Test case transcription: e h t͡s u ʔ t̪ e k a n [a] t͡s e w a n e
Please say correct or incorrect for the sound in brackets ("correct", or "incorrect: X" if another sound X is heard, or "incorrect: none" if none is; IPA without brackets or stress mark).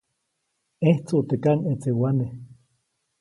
incorrect: e